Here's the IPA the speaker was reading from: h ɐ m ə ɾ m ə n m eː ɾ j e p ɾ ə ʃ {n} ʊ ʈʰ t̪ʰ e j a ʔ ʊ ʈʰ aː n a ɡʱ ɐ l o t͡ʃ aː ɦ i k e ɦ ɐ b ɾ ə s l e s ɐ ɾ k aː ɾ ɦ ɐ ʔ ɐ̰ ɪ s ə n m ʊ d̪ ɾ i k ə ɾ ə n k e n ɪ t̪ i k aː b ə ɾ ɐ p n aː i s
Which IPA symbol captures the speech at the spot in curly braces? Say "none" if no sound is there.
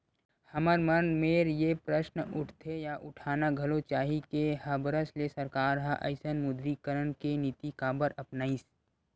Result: n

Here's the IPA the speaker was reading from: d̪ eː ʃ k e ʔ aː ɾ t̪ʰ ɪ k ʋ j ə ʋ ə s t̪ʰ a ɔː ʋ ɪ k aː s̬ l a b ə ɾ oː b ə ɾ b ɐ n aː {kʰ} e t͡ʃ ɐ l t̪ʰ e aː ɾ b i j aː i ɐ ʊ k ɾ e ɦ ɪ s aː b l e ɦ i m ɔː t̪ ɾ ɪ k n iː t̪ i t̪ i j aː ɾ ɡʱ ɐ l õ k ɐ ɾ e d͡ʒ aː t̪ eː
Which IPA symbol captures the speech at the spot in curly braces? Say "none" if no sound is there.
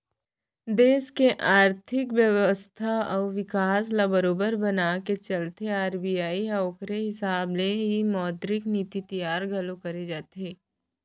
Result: k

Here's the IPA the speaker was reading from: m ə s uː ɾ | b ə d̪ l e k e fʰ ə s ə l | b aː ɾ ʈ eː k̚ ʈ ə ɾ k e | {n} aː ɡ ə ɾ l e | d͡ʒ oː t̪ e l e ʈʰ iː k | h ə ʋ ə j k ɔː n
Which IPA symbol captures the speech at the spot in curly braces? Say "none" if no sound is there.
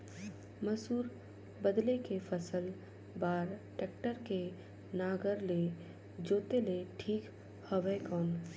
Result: n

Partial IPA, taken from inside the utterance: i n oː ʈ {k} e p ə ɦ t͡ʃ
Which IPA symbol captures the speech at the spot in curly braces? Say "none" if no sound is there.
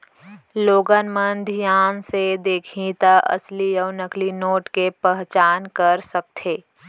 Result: k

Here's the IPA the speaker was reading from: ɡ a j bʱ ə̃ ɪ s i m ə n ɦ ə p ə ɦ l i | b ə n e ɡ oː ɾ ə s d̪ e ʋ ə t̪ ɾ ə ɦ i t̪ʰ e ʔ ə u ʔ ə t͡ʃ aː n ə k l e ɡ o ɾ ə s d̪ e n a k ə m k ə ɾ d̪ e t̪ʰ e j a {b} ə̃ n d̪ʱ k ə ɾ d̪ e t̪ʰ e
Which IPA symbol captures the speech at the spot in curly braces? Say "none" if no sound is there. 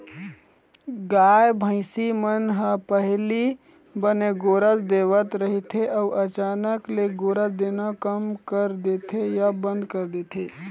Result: b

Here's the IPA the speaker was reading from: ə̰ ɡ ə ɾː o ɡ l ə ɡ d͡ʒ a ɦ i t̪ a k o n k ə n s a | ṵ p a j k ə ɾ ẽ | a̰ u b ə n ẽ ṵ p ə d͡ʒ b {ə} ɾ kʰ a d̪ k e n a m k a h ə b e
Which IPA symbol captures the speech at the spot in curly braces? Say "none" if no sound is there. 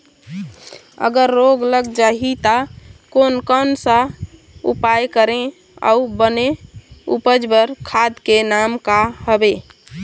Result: ə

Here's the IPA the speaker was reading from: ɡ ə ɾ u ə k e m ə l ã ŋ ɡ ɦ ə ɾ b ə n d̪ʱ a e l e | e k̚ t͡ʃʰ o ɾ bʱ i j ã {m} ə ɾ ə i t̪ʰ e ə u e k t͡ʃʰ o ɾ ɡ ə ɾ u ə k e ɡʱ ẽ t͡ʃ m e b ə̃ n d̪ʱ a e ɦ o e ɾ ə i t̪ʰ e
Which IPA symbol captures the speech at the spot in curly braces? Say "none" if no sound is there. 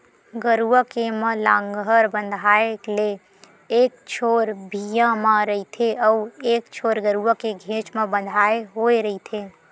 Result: m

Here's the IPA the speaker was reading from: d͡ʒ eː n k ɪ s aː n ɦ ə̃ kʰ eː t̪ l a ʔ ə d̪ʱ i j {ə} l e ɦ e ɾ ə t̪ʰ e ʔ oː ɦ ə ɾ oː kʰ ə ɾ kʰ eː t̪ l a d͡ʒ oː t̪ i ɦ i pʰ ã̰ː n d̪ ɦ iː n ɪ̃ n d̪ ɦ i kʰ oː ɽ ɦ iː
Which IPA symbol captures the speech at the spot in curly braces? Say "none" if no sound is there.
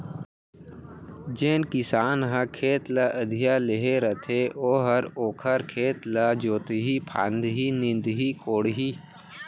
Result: a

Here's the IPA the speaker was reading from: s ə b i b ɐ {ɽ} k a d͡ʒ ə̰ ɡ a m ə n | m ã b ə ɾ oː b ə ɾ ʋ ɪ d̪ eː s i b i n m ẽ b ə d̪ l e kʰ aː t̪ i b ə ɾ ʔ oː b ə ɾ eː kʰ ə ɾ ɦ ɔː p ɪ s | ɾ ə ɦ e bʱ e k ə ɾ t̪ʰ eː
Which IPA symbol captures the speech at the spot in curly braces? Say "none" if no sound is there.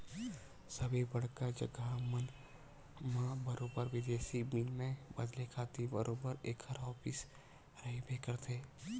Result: ɽ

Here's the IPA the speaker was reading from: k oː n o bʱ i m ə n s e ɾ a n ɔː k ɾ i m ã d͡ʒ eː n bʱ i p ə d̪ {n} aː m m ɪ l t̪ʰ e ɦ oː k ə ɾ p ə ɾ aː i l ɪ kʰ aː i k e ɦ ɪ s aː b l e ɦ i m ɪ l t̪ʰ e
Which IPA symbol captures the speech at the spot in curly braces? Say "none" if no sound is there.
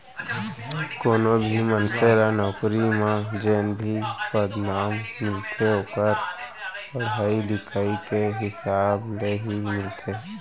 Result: n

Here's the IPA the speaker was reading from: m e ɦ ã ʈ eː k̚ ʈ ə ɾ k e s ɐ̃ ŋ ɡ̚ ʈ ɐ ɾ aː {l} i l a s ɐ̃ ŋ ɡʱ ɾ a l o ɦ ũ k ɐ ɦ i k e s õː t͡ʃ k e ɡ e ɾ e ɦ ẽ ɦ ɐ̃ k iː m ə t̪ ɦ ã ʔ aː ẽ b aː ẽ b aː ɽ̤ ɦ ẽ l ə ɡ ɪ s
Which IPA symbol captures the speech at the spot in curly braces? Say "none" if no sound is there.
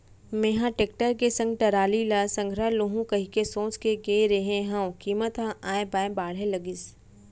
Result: l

